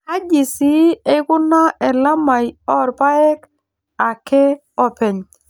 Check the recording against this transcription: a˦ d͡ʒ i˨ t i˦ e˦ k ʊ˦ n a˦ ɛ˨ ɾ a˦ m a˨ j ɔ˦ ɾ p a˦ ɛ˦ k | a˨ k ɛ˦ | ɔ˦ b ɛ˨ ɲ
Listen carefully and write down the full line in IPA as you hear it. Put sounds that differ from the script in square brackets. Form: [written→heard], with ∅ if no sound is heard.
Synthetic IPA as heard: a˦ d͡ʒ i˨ [t→s] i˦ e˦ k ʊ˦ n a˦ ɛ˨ [ɾ→l] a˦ m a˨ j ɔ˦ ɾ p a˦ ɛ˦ k | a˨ k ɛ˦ | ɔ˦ [b→p] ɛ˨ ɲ